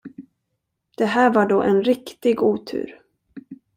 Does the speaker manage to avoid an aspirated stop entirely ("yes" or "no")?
no